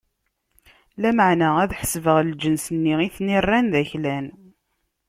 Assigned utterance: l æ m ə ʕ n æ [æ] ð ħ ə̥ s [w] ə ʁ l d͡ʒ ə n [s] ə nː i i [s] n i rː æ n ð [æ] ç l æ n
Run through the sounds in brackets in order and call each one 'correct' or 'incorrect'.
correct, incorrect: v, correct, incorrect: θ, correct

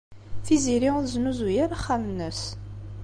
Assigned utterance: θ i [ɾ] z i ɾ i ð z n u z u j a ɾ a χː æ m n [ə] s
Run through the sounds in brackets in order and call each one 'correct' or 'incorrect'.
incorrect: none, correct

